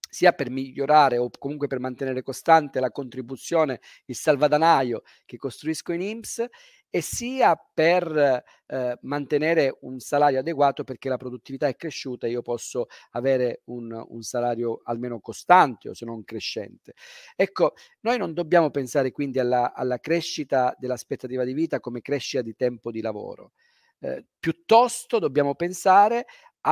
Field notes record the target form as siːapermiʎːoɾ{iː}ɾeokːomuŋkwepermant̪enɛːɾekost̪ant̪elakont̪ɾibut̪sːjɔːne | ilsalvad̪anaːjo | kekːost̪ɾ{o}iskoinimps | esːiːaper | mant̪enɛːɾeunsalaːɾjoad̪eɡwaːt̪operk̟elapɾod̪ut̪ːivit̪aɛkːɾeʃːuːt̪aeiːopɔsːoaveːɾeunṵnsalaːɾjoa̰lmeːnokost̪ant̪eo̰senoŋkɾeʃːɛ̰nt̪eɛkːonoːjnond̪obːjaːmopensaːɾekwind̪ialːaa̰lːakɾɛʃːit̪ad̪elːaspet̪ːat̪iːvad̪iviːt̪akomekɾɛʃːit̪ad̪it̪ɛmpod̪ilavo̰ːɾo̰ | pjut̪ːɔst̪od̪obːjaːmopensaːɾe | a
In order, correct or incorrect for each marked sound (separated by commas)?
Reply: incorrect, incorrect